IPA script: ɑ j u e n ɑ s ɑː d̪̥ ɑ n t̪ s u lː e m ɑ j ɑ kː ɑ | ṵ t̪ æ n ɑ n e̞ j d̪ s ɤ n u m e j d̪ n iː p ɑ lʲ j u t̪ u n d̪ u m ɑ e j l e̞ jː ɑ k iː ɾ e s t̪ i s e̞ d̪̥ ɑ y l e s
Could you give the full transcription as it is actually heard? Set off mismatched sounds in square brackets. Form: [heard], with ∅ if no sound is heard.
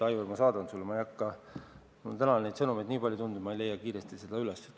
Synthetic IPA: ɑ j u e [m] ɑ s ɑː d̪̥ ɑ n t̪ s u lː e m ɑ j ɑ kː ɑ | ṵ t̪ æ n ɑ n e̞ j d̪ s ɤ n u m e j d̪ n iː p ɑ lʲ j u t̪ u n d̪ u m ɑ e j l e̞ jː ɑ k iː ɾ e s t̪ i s e̞ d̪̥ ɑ y l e s